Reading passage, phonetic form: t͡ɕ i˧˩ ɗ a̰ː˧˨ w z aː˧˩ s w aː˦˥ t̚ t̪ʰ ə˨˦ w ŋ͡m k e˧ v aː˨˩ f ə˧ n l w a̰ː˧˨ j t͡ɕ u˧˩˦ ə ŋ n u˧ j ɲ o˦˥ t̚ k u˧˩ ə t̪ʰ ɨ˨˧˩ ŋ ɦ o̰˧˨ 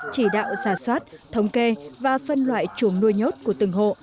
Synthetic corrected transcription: t͡ɕ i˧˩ ɗ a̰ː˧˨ w z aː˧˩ s w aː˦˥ t̚ t̪ʰ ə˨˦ w ŋ͡m k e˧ v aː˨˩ f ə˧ n l w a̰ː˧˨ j t͡ɕ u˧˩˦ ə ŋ n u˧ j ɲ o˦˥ t̚ k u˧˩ ə t̪ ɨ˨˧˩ ŋ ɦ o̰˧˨